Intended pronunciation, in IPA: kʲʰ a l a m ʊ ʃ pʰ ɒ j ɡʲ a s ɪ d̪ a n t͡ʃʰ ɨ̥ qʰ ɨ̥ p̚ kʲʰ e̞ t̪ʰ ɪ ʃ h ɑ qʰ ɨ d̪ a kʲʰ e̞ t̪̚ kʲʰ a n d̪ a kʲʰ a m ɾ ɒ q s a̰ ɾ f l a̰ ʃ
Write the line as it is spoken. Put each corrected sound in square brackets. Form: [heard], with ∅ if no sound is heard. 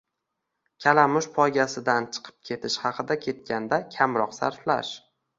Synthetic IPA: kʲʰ a l a m ʊ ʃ pʰ ɒ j ɡʲ a s ɪ d̪ a n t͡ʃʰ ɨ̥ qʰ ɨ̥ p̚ kʲʰ e̞ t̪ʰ ɪ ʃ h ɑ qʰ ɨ d̪ a kʲʰ e̞ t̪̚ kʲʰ a n d̪ a kʲʰ a m ɾ ɒ q s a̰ ɾ f l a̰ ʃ